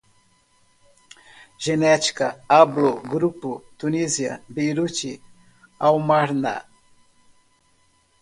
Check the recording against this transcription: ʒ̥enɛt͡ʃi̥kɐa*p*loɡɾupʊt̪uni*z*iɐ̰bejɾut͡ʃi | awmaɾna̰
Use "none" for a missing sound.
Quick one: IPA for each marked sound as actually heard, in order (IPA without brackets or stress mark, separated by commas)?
b, z